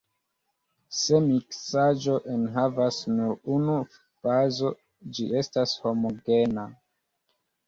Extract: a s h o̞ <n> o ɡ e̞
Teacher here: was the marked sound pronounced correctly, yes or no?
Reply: no